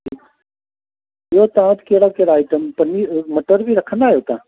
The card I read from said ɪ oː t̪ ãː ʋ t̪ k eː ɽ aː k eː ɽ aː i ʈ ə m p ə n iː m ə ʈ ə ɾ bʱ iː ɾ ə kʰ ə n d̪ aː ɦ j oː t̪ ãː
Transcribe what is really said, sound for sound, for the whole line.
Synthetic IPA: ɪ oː t̪ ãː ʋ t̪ k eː ɽ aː k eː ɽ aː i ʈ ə m p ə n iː m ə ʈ ə ɾ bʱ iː ɾ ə kʰ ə n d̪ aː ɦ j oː t̪ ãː